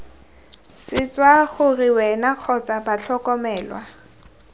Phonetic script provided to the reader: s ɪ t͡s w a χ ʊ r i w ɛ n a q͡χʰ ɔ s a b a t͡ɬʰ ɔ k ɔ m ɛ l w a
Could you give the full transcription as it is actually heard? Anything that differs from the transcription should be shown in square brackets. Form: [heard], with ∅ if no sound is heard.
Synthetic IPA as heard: s ɪ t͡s w a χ ʊ r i w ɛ n a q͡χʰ ɔ [t͡s] a b a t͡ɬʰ ɔ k ɔ m [ɛː] l w a